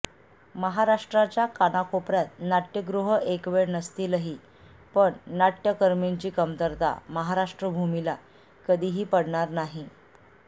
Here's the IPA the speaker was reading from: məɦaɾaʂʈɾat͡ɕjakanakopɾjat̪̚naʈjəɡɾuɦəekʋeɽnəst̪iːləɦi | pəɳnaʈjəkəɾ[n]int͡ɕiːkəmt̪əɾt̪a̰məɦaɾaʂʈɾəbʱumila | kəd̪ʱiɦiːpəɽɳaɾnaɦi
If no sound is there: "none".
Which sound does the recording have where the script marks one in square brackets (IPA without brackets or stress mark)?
m